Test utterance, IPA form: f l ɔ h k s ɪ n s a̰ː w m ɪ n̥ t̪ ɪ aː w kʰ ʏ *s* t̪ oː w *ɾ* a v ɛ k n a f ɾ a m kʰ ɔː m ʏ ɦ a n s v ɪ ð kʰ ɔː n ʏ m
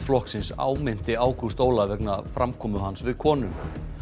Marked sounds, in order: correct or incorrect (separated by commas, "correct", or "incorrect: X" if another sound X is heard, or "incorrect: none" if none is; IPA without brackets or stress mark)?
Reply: correct, incorrect: l